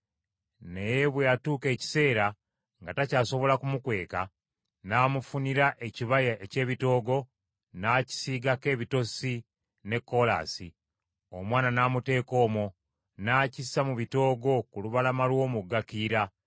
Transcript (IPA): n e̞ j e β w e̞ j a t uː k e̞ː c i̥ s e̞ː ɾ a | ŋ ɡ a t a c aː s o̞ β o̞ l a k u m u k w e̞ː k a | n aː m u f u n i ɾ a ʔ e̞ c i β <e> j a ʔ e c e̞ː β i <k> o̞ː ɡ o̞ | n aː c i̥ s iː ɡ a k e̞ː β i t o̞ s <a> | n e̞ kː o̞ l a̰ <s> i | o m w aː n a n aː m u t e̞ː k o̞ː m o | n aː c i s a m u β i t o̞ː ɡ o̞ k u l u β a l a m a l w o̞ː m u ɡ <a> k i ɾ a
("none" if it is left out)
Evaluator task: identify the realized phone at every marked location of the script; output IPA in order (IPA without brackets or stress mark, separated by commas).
a, t, i, s, a